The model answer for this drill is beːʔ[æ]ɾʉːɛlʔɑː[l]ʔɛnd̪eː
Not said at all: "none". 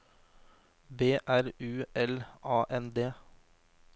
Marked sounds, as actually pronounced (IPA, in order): æ, none

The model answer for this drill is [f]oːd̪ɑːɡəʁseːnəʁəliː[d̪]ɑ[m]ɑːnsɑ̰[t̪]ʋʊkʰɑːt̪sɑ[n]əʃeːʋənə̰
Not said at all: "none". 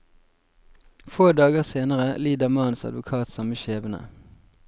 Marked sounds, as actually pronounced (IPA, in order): f, d̪, m, d̪, m

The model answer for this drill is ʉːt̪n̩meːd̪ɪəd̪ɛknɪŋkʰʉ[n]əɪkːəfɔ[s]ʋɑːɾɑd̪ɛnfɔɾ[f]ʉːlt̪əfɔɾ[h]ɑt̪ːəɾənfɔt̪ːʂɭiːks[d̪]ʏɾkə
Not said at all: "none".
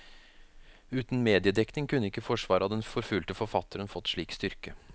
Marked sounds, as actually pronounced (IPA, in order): nː, ʂ, f, f, t̪

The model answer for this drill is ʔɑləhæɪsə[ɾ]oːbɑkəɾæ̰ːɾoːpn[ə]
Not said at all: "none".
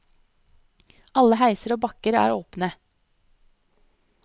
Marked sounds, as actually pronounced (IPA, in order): ɾ, ə

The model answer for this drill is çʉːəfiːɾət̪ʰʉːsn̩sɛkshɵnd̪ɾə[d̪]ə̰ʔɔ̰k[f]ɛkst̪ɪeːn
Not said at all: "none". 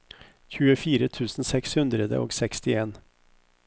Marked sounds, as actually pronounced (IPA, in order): d̪, s

